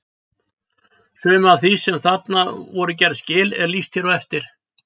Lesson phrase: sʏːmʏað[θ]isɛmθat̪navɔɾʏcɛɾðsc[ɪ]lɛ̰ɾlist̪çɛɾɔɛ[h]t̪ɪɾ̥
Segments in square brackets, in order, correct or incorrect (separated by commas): correct, incorrect, incorrect